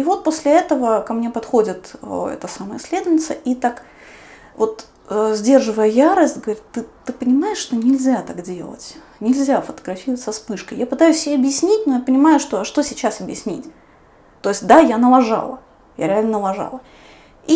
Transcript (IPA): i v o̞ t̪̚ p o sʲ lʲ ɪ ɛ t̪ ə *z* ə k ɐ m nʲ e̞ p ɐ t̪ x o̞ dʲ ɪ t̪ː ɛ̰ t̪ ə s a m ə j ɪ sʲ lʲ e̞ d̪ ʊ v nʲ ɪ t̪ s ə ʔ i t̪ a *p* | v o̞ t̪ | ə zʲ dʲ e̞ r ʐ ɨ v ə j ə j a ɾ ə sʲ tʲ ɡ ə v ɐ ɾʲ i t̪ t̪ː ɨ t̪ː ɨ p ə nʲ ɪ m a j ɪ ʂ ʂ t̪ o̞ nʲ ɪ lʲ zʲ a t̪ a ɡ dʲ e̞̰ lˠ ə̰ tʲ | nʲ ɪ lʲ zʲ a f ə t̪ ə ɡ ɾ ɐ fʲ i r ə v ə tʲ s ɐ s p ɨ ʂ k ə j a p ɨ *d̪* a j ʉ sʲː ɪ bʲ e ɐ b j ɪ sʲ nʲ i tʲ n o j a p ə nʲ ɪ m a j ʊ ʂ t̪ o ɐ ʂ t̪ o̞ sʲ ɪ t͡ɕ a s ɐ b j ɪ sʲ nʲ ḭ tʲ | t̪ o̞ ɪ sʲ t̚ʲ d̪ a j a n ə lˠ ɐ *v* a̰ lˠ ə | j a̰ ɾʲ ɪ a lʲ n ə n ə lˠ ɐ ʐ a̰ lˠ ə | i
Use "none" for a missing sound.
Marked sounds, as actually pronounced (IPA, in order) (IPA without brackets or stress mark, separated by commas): v, k, t̪, ʐ